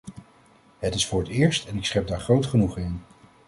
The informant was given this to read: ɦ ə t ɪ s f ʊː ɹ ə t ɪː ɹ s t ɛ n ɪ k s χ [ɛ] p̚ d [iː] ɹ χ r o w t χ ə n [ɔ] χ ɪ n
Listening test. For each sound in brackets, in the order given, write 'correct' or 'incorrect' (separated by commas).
correct, incorrect, incorrect